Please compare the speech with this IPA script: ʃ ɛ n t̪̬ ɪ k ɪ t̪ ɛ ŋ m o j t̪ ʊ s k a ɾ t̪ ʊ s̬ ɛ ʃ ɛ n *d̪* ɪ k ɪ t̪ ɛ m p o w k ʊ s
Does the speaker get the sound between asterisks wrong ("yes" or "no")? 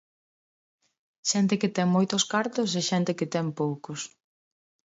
yes